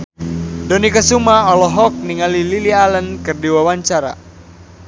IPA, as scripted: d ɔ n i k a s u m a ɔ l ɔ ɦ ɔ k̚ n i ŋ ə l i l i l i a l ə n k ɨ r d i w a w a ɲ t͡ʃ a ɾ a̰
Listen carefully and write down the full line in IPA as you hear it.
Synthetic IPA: d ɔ n i k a s u m a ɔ l ɔ ɦ ɔ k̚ n i ŋ a l i l i l i a l ə n k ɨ r d i w a w a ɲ t͡ʃ a ɾ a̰